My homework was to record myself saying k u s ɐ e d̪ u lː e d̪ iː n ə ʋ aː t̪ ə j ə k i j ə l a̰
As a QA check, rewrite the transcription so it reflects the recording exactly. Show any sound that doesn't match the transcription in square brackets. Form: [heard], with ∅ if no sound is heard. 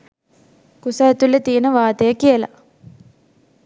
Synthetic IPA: k u s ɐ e [t̪] u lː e [t̪] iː n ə ʋ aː t̪ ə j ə k i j ə l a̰